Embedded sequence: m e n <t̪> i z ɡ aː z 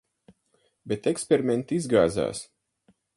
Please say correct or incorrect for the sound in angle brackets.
correct